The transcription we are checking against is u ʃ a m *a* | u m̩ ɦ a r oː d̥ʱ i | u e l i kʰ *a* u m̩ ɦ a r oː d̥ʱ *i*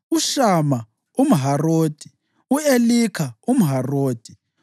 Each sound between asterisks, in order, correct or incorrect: correct, correct, correct

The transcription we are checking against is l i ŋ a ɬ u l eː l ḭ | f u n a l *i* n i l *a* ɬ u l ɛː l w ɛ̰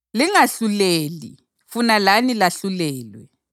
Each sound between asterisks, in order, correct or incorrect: incorrect: a, correct

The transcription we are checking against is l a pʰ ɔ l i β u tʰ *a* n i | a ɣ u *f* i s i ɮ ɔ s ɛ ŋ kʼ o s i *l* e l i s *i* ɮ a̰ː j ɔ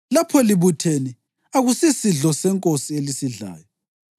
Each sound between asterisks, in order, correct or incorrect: incorrect: e, incorrect: s, incorrect: none, correct

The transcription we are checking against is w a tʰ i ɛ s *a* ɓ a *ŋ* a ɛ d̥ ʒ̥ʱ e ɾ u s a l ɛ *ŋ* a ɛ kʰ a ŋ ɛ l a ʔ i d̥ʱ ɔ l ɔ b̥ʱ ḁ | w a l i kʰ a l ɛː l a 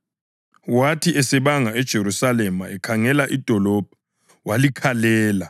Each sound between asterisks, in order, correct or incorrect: incorrect: ɛ, correct, incorrect: m

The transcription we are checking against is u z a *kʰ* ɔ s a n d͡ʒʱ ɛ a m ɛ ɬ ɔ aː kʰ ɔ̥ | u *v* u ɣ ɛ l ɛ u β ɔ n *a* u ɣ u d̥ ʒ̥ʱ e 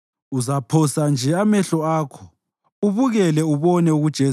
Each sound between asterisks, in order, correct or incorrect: incorrect: pʰ, incorrect: β, incorrect: ɛ

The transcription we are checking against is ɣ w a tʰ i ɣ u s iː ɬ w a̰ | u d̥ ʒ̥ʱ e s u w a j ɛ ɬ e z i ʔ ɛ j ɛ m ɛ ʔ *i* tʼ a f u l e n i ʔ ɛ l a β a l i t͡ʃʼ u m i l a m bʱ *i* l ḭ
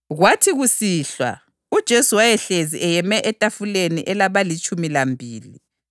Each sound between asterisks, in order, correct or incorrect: incorrect: ɛ, incorrect: iː

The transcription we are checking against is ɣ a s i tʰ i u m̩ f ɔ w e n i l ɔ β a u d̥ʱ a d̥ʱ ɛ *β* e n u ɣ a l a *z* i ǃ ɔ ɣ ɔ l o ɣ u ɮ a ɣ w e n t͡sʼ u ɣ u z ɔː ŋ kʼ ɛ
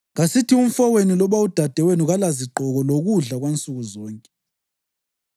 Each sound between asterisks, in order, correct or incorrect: incorrect: w, correct

